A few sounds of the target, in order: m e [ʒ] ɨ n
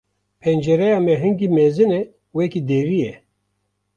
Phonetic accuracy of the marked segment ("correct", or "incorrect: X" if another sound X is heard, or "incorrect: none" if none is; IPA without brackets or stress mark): incorrect: z